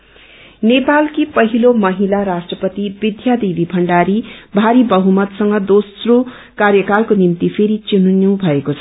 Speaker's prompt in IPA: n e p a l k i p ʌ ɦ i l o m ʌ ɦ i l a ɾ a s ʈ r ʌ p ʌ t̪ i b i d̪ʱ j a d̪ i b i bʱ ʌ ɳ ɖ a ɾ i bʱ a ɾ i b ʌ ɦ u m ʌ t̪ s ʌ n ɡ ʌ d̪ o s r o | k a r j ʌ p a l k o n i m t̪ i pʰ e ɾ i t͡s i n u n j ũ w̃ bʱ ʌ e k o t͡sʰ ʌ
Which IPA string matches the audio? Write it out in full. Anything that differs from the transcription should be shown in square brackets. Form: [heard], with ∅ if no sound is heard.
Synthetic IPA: n e p a l k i p ʌ ɦ i l o m ʌ ɦ i l a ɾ a s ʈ r ʌ p ʌ t̪ i b i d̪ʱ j a d̪ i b i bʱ ʌ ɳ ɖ a ɾ i bʱ a ɾ i b ʌ ɦ u m ʌ t̪ s ʌ [ŋ] ɡ ʌ d̪ o s r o | k a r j ʌ [k] a l k o n i m t̪ i pʰ e ɾ i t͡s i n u n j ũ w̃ bʱ ʌ e k o t͡sʰ ʌ